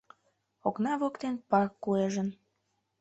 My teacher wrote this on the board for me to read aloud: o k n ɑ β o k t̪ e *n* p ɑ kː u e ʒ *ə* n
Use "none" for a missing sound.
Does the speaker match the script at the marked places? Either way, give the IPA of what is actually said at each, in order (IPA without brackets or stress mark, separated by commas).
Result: n, ə